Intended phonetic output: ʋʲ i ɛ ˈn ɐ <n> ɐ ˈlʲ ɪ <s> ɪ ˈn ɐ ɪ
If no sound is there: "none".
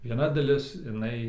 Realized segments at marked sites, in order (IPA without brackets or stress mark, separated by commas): d, s